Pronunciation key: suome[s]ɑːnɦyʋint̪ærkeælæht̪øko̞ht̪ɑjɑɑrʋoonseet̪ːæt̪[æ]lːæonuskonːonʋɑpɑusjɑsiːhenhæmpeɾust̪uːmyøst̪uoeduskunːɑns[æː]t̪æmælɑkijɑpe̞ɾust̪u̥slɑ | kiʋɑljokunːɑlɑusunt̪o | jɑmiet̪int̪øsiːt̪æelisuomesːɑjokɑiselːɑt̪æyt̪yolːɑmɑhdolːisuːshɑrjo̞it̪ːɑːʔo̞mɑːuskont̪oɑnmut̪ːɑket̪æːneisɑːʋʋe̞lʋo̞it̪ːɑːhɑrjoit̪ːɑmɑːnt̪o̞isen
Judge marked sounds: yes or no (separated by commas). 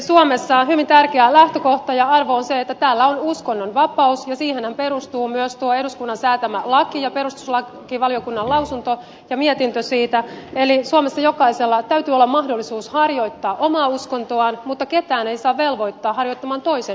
no, no, yes